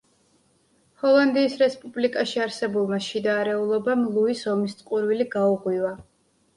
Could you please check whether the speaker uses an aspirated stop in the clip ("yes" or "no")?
no